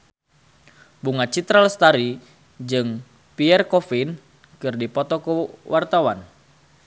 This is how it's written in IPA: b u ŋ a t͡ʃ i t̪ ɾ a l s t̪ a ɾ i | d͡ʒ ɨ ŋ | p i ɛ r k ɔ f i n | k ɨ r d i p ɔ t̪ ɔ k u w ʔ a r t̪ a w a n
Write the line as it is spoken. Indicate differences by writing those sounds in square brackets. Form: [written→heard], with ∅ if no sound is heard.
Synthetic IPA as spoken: b u ŋ a t͡ʃ i t̪ ɾ a l s t̪ a ɾ i | d͡ʒ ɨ ŋ | p i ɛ r k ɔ f i n | k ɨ r d i p ɔ t̪ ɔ k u w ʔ a r t̪ a w a n